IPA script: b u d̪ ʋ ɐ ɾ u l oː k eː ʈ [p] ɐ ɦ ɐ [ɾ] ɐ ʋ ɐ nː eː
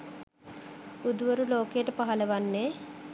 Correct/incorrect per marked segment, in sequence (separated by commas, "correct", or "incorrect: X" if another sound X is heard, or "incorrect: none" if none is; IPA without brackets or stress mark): correct, incorrect: l